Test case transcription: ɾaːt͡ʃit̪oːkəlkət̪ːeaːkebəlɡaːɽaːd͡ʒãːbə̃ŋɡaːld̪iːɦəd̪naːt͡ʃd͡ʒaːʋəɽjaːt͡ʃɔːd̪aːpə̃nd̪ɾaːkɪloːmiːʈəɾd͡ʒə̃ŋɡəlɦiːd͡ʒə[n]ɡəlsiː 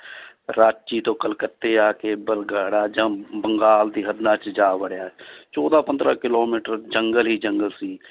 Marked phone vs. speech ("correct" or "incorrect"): incorrect